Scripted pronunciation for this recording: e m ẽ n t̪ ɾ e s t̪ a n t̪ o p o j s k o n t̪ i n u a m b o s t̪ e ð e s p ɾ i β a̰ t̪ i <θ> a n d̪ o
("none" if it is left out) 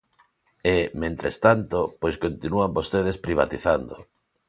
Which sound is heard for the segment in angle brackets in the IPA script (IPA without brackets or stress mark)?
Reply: θ